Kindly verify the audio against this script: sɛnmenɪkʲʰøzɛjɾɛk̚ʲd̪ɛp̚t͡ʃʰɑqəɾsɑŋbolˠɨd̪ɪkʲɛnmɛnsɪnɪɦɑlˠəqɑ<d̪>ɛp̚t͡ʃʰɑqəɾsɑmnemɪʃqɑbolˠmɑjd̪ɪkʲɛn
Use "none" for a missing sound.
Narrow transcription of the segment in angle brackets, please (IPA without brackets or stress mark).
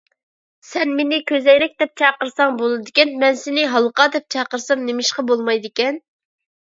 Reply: d̪